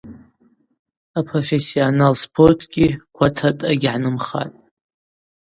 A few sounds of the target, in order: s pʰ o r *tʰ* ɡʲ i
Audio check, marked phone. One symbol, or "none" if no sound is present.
tʰ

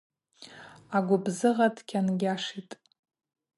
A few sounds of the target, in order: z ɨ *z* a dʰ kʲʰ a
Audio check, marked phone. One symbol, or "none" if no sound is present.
ʁ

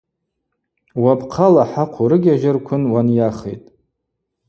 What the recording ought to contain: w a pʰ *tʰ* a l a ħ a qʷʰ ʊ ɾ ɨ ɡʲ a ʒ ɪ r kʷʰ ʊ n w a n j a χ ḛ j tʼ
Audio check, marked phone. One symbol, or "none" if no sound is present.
qʰ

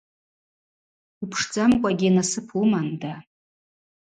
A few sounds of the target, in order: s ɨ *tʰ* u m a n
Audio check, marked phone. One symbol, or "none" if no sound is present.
pʰ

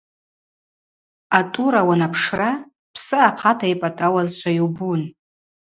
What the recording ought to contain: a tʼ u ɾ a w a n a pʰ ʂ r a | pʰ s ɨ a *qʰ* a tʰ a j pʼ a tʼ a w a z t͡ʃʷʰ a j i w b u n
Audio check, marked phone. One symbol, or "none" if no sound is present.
qʰ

